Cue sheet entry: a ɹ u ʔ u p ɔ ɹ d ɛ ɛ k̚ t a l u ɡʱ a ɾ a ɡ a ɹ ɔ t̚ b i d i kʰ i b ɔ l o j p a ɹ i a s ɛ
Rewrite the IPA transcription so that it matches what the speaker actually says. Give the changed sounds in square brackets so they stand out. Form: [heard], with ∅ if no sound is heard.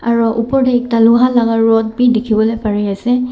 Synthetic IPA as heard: a ɹ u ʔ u p ɔ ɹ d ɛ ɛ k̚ t a l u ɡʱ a [l] a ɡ a ɹ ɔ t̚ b i d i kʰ i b ɔ l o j p a ɹ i a s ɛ